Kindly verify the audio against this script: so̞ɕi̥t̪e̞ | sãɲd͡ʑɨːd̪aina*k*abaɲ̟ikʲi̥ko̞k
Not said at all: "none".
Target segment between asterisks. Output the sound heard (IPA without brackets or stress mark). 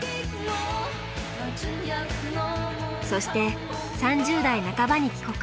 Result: k